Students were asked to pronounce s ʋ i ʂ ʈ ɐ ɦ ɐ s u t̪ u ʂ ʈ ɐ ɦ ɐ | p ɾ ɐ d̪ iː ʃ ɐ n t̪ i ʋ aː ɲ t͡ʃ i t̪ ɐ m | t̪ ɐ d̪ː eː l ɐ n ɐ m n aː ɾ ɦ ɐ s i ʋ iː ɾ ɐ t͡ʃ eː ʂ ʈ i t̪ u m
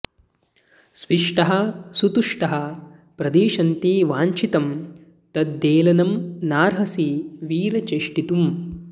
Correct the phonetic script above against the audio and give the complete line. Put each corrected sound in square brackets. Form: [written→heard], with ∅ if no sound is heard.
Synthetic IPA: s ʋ i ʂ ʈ ɐ ɦ ɐ s u t̪ u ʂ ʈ ɐ ɦ ɐ | p ɾ ɐ d̪ iː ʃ ɐ n t̪ i ʋ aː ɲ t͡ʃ i t̪ ɐ m | t̪ ɐ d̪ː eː l ɐ n ɐ m n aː ɾ ɦ ɐ s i ʋ iː ɾ ɐ t͡ʃ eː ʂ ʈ i t̪ u m